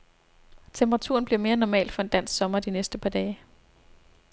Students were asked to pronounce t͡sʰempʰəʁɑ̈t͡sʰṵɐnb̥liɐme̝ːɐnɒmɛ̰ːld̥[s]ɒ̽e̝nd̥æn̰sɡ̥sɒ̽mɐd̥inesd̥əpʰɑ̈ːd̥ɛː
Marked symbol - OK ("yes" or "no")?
no